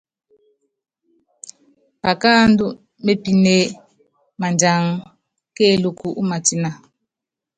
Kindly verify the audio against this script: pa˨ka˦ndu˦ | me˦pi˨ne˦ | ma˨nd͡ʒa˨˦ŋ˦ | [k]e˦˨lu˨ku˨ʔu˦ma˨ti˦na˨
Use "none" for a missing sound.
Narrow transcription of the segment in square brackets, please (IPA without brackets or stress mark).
k